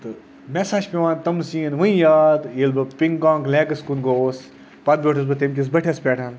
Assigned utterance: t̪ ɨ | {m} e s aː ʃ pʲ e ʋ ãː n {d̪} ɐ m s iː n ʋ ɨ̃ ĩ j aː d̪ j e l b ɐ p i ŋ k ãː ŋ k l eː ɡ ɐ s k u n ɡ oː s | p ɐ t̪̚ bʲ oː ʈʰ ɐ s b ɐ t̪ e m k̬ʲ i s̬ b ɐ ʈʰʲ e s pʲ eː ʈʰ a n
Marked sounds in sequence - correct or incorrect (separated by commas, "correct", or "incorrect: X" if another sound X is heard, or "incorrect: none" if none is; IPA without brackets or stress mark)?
correct, incorrect: t̪